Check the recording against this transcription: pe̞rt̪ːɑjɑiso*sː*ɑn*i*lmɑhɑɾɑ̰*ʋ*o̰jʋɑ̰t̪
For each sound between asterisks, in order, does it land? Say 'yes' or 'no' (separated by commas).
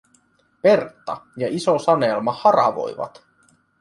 no, no, yes